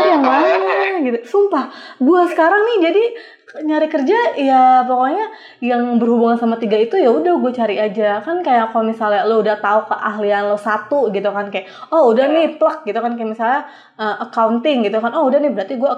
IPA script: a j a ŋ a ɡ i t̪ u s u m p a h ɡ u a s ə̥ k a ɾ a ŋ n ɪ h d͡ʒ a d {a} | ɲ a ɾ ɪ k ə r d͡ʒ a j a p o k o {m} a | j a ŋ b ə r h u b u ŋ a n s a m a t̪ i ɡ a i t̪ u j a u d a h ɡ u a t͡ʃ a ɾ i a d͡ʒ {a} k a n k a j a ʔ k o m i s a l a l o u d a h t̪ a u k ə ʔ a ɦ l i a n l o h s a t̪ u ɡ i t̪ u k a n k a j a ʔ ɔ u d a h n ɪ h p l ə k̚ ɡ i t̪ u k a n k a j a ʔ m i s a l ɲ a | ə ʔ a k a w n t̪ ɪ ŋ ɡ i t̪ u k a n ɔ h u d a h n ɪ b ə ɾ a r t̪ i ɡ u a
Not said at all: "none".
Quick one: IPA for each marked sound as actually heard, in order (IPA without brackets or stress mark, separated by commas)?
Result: i, ɲ, a